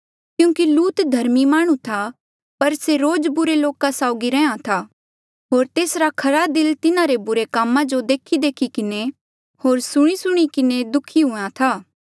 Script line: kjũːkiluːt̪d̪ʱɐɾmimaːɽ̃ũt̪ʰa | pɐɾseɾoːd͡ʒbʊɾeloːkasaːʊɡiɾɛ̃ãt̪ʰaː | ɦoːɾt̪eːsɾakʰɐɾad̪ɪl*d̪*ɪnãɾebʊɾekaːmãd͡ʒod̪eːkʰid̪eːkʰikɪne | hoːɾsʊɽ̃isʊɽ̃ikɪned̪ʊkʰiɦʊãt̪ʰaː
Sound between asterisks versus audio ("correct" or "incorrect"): incorrect